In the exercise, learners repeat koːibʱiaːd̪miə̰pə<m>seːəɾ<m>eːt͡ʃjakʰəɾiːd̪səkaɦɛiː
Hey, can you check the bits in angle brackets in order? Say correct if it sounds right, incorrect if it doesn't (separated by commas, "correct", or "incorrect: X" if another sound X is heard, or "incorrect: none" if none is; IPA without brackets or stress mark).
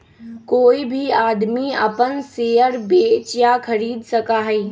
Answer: incorrect: n, incorrect: b